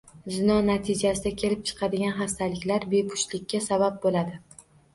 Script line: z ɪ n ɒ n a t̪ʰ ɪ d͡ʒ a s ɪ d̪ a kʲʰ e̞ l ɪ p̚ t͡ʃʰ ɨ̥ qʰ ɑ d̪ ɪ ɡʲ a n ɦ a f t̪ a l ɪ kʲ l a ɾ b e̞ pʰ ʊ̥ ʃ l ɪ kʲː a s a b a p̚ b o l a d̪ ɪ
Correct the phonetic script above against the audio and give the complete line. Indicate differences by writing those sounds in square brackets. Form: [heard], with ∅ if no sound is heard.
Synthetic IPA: z ɪ n ɒ n a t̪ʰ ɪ d͡ʒ a s ɪ d̪ a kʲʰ e̞ l ɪ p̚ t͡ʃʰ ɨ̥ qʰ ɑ d̪ ɪ ɡʲ a n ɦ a [s] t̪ a l ɪ kʲ l a ɾ b e̞ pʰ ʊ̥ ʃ l ɪ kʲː a s a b a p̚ b o l a d̪ ɪ